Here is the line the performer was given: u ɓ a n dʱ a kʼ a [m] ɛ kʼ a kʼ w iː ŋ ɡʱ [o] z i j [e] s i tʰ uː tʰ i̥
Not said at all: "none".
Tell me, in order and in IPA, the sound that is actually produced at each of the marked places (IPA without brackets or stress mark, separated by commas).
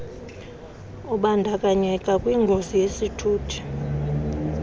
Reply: ɲ, o, e